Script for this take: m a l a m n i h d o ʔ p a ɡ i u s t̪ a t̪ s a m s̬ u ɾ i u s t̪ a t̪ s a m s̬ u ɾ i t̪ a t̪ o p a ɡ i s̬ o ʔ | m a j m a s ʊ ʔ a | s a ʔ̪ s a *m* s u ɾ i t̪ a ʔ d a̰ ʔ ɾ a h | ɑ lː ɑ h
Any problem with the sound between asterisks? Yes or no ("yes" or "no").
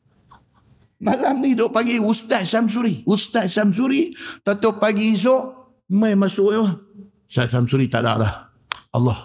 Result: no